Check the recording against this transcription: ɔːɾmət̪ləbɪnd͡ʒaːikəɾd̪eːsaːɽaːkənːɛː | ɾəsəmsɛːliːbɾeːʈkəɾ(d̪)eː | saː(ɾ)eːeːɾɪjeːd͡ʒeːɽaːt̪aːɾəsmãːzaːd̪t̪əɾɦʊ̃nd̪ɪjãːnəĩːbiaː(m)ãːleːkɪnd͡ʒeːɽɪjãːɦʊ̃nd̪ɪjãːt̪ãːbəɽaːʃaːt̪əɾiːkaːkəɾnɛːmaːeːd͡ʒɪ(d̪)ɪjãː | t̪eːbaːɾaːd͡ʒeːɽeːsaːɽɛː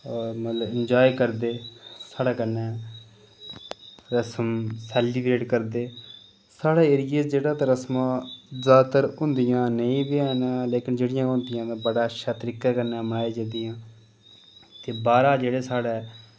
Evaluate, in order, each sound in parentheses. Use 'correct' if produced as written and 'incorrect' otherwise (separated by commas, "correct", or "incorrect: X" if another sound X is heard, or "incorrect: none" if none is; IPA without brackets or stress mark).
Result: correct, incorrect: ɽ, incorrect: n, correct